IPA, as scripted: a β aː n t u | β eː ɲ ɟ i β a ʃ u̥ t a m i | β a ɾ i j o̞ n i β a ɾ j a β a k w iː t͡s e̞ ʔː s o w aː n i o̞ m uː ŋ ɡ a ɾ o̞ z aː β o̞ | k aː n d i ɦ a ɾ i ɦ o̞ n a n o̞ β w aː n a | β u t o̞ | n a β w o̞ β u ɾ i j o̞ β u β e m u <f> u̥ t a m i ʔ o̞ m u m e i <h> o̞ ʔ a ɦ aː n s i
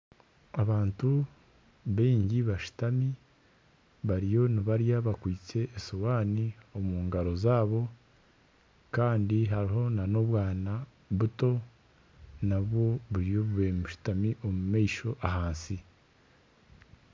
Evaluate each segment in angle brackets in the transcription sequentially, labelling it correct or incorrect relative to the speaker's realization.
incorrect: ʃ, incorrect: ʃ

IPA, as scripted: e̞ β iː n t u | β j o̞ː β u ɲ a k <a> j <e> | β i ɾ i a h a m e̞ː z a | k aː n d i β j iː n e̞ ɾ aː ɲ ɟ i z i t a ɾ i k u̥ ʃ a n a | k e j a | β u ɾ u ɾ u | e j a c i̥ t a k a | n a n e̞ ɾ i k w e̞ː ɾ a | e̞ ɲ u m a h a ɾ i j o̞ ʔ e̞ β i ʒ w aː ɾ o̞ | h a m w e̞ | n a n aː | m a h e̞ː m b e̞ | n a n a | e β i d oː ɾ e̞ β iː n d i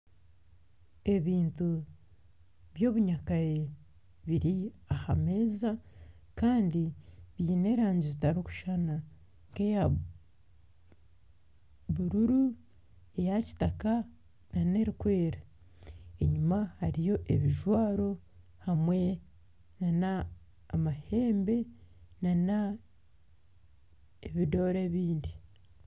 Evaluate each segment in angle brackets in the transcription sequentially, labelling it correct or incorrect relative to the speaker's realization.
correct, correct

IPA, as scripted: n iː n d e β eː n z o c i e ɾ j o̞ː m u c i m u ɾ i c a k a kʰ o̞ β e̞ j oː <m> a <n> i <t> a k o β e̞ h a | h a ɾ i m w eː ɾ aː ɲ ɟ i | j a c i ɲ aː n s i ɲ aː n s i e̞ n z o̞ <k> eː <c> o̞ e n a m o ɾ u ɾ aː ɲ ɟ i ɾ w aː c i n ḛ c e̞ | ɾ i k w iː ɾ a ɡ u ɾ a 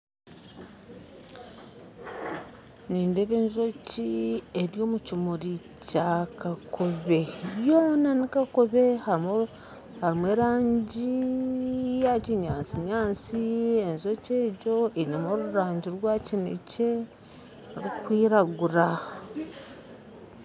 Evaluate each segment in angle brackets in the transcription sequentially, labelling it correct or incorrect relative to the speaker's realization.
incorrect: n, correct, incorrect: k, incorrect: c, incorrect: ɟ

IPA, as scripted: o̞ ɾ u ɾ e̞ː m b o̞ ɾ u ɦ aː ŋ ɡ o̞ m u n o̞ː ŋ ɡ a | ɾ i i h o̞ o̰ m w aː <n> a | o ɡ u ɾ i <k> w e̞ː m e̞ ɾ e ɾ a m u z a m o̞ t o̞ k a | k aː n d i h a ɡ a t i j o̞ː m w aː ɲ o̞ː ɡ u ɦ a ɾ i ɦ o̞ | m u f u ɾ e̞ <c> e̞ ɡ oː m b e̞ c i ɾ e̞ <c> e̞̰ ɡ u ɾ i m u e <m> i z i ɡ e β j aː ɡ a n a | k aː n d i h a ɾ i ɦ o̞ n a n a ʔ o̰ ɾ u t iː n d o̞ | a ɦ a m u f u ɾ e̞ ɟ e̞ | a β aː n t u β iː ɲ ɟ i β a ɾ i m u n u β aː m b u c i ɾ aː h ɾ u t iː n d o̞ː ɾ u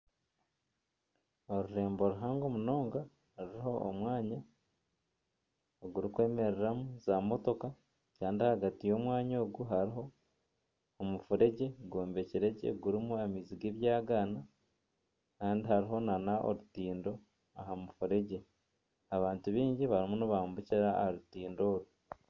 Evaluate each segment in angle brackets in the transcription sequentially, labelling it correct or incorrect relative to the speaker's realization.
incorrect: ɲ, correct, incorrect: ɟ, incorrect: ɟ, correct

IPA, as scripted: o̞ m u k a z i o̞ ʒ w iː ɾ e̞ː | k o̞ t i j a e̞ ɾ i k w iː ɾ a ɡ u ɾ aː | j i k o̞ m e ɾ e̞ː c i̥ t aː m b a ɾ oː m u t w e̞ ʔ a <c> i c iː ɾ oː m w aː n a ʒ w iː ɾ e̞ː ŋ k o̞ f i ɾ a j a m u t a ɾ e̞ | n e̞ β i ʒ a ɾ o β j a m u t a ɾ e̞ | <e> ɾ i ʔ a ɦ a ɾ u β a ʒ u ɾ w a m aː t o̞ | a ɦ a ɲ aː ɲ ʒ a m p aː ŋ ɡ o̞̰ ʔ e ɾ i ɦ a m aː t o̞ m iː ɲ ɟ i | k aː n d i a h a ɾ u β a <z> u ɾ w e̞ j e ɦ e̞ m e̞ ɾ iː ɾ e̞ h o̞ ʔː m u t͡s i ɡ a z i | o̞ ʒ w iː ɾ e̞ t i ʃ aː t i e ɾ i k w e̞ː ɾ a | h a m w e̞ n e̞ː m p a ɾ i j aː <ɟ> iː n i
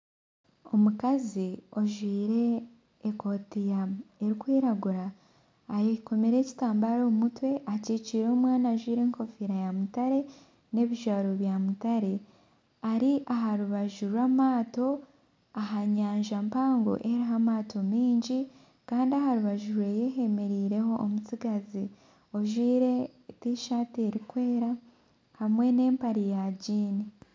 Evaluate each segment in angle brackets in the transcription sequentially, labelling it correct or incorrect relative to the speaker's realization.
correct, incorrect: a, incorrect: ʒ, correct

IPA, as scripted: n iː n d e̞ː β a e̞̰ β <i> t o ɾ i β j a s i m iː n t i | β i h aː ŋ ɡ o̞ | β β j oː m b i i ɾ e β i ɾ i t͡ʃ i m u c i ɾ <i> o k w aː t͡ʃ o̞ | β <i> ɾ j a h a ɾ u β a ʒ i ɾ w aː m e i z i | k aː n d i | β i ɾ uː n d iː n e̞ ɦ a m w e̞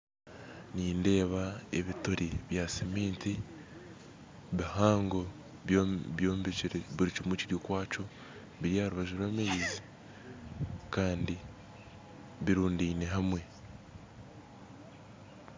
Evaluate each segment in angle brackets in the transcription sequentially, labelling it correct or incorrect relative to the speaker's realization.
correct, incorrect: j, correct

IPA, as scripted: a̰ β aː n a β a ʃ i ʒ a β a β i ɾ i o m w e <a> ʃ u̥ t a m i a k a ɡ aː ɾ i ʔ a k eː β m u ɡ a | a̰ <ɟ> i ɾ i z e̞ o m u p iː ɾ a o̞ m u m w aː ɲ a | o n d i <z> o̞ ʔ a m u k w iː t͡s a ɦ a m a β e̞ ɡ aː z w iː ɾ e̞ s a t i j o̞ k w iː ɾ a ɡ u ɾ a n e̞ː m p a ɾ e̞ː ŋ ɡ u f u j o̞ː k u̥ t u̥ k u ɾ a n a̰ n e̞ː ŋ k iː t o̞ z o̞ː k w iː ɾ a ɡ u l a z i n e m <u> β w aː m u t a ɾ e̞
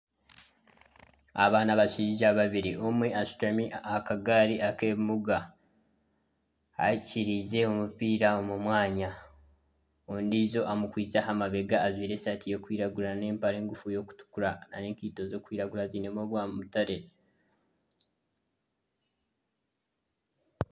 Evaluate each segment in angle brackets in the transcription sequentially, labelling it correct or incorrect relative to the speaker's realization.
correct, incorrect: c, correct, incorrect: o

